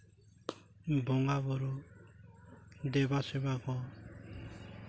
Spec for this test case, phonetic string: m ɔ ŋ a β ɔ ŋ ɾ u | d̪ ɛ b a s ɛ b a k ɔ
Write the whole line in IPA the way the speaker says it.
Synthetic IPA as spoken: b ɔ ŋ a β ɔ ɾ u | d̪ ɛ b a s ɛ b a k ɔ

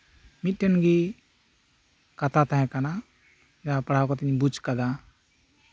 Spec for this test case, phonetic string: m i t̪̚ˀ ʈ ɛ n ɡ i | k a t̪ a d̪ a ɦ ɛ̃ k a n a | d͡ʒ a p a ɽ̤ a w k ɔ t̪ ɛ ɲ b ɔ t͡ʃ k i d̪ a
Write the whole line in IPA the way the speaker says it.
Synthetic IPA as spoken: m i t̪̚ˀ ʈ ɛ n ɡ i | k a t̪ a t̪ a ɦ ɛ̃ k a n a | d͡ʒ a p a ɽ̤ a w k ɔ t̪ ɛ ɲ b u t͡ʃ k a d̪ a

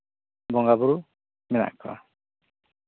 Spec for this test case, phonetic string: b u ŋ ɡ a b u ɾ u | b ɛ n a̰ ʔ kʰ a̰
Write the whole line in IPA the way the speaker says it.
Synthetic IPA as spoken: b ɔ ŋ ɡ a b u ɾ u | m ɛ n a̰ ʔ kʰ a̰

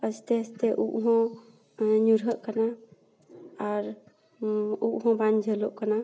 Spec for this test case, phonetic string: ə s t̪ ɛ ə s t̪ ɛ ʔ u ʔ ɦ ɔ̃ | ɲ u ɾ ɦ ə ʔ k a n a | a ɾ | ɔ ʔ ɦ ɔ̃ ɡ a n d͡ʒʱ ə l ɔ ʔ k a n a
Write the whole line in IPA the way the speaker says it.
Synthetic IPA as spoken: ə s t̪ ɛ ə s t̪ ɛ ʔ u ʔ ɦ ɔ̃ | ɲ u ɾ ɦ ə ʔ k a n a | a ɾ | u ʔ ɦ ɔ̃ b a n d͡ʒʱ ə l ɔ ʔ k a n a

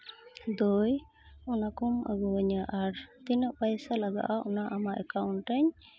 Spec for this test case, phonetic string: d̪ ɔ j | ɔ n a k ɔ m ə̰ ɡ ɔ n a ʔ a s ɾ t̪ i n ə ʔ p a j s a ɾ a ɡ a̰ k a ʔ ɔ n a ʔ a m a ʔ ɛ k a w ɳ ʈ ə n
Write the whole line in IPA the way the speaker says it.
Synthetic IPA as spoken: d̪ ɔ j | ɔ n a k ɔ m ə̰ ɡ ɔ ɲ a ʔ a ɾ t̪ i n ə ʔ p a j s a l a ɡ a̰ ʔ a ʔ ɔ n a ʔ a m a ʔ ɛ k a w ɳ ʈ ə ɲ

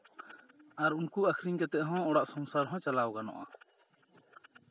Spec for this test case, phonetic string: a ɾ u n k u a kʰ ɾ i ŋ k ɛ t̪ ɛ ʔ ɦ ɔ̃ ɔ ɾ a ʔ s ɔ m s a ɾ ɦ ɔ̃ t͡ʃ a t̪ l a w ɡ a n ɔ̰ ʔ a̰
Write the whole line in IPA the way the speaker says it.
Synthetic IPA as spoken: a ɾ u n k u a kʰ ɾ i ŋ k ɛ t̪ ɛ ʔ ɦ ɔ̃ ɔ ɽ a ʔ s ɔ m s a ɾ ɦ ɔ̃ t͡ʃ a l a w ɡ a n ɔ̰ ʔ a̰

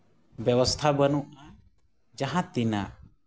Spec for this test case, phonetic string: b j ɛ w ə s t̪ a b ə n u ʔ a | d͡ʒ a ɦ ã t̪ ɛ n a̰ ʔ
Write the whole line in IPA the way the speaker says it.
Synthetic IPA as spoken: b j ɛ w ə s t̪ʰ a b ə n u ʔ a | d͡ʒ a ɦ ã t̪ i n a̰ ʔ

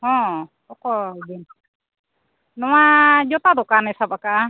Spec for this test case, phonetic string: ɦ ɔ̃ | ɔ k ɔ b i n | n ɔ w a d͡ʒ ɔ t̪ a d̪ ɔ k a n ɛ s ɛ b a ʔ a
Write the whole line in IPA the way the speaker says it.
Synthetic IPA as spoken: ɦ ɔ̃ | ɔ k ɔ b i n | n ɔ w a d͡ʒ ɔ t̪ a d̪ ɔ k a n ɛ s a b a k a

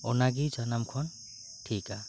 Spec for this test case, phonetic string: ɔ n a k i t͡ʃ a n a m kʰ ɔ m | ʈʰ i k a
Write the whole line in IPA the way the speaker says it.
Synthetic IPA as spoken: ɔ n a ɡ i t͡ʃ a n a m kʰ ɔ n | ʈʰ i k a

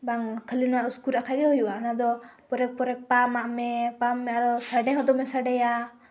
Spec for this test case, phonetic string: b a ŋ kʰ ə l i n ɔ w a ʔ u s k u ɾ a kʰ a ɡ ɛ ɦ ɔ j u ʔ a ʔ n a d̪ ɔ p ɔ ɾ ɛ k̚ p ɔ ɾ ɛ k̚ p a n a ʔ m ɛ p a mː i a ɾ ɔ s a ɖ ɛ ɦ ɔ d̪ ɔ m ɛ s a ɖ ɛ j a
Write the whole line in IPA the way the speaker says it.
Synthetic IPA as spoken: b a ŋ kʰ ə l i n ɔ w a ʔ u s k u ɾ a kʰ a ɡ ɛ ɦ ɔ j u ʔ a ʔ n a d̪ ɔ p ɔ ɾ ɛ k̚ p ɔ ɾ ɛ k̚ p a m a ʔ m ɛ p a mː ɛ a ɾ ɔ s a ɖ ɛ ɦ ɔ d̪ ɔ m ɛ s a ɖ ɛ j a

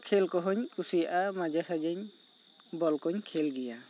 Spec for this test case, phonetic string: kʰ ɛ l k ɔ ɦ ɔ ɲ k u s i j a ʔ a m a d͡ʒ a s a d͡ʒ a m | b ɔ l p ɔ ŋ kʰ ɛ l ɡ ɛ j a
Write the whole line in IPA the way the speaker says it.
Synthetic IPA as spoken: kʰ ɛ l k ɔ ɦ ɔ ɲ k u s i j a ʔ a m a d͡ʒ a s a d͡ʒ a ɲ | b ɔ l k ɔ ɲ kʰ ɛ l ɡ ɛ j a

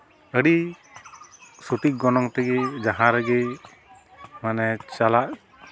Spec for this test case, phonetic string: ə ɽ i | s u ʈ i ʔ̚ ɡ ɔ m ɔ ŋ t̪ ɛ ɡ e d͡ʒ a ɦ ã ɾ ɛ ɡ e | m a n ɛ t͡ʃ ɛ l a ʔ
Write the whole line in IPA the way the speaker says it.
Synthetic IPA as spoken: ə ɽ i | s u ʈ i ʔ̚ ɡ ɔ n ɔ ŋ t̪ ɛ ɡ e d͡ʒ a ɦ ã ɾ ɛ ɡ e | m a n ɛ t͡ʃ a l a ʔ

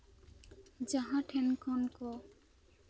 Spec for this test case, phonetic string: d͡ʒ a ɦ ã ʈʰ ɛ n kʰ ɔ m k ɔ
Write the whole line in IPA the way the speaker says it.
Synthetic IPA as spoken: d͡ʒ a ɦ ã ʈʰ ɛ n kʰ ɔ n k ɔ

